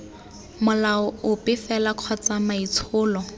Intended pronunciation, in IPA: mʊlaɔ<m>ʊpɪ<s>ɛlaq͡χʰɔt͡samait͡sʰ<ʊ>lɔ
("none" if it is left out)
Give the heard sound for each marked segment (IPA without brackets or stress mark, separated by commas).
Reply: none, f, ʊː